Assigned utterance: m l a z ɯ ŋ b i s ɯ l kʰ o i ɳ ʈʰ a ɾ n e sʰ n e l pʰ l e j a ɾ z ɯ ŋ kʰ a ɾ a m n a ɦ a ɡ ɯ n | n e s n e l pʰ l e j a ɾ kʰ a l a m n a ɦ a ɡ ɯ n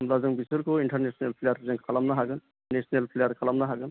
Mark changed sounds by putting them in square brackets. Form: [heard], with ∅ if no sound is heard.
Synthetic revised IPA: m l a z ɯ ŋ b i s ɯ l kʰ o i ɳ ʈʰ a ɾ n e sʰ n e l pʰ l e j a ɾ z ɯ ŋ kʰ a [l] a m n a ɦ a ɡ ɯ n | n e s n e l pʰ l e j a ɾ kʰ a l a m n a ɦ a ɡ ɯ n